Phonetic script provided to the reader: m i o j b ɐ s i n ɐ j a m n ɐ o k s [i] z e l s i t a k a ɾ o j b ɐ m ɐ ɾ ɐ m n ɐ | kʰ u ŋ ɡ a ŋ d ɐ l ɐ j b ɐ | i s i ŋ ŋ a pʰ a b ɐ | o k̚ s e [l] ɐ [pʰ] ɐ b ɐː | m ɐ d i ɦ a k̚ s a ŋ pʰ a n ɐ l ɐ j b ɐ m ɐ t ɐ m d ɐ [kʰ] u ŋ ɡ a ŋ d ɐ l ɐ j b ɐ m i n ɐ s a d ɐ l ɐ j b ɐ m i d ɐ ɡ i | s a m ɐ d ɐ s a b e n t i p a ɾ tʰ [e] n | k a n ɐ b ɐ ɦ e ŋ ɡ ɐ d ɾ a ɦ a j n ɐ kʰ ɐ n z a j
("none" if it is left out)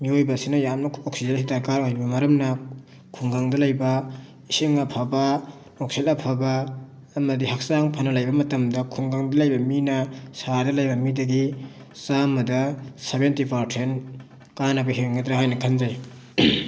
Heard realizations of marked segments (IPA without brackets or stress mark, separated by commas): i, l, pʰ, kʰ, e